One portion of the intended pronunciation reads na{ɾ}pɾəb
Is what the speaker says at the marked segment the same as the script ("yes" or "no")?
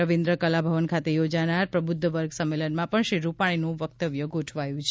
yes